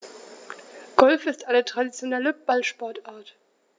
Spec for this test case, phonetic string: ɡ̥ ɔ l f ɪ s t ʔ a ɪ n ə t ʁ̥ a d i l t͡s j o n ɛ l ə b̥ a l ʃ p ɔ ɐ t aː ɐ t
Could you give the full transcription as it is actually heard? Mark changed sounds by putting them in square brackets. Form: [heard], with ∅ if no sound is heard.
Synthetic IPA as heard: ɡ̥ ɔ l f ɪ s t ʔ a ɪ n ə t ʁ̥ a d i [∅] t͡s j o n ɛ l ə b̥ a l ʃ p ɔ ɐ t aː ɐ t